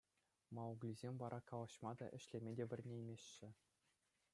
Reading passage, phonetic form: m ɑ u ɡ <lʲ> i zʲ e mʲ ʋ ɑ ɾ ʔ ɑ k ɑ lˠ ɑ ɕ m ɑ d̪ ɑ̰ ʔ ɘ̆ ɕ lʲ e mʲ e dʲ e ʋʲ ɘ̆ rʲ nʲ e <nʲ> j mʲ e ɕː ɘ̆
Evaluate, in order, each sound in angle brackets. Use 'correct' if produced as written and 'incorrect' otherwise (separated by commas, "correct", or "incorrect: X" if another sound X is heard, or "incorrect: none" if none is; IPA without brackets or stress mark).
correct, incorrect: none